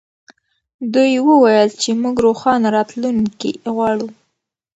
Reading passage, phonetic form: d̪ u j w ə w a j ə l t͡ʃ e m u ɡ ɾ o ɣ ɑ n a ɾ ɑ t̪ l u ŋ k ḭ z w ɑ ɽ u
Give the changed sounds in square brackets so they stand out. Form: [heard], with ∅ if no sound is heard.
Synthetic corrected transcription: d̪ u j w ə w a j ə l t͡ʃ e m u ɡ ɾ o [x] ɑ n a ɾ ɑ t̪ l u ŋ k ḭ [ɣ] w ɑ ɽ u